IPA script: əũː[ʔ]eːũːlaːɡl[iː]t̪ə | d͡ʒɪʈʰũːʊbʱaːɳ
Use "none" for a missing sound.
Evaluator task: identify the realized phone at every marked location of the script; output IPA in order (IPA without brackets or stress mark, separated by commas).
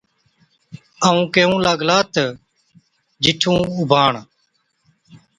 k, aː